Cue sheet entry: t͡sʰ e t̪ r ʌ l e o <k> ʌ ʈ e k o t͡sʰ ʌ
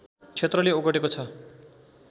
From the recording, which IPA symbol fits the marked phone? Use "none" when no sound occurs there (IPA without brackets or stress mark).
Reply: ɡ